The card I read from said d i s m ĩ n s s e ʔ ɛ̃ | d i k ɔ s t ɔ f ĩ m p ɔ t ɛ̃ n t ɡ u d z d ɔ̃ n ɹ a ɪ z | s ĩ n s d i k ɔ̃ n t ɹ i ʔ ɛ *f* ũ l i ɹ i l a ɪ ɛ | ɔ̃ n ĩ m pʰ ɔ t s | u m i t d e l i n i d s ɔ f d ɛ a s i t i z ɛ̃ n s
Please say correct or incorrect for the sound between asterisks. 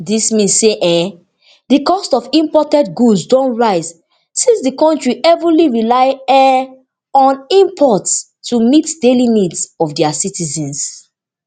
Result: incorrect